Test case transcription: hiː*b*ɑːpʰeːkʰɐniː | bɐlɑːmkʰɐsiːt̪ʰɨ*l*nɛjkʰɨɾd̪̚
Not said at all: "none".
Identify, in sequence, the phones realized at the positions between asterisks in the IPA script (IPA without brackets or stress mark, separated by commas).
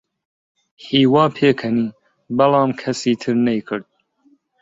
w, ɾ